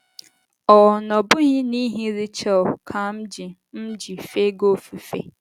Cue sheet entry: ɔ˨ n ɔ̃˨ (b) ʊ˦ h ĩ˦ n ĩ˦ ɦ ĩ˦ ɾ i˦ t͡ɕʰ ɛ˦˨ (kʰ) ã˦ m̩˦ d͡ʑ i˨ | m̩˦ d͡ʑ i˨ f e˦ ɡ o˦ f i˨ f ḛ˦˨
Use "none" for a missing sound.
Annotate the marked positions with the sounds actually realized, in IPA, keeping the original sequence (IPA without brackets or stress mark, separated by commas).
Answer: b, kʰ